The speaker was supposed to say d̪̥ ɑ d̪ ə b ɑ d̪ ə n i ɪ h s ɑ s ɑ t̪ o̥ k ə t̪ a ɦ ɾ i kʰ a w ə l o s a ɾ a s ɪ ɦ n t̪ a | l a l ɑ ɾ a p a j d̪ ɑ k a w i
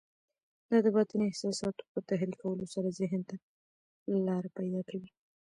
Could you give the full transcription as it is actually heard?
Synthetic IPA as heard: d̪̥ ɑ d̪ ə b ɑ t̪ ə n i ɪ h s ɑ s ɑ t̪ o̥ p ə t̪ a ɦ ɾ i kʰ a w ə l o s a ɾ a z ɪ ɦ n t̪ a | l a l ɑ ɾ a p a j d̪ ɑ k a w i